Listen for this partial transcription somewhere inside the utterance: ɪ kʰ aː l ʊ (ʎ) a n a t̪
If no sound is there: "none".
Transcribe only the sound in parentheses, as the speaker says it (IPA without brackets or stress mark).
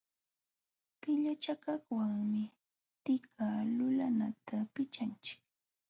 l